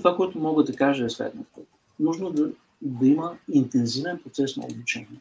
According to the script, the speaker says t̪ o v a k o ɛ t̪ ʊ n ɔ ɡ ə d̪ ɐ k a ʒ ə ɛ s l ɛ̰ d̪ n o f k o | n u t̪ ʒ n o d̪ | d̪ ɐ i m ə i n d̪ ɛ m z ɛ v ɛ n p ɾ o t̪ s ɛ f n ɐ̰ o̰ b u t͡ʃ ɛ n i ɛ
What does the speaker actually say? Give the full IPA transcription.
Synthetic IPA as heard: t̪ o v a k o ɛ t̪ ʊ m ɔ ɡ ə d̪ ɐ k a ʒ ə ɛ s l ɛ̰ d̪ n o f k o | n u ʒ n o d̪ | d̪ ɐ i m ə i n t̪ ɛ n z i v ɛ n p ɾ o t̪ s ɛ s n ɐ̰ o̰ b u t͡ʃ ɛ n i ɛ